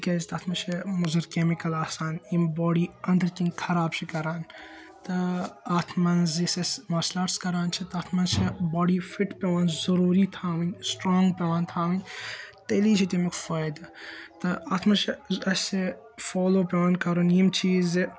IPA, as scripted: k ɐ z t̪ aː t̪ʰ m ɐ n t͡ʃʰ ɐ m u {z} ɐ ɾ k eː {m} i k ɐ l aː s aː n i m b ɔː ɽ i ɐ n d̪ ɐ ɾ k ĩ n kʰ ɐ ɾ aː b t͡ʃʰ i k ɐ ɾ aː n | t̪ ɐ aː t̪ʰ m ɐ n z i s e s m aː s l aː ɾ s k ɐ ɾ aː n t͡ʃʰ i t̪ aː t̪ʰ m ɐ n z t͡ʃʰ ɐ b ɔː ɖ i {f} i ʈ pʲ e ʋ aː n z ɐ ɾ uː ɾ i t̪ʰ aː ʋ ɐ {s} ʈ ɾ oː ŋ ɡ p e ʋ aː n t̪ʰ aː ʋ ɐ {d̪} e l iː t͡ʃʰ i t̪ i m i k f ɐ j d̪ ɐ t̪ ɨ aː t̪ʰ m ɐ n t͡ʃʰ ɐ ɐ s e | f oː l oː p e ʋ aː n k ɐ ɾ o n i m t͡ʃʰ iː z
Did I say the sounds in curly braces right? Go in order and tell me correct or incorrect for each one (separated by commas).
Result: correct, correct, correct, correct, incorrect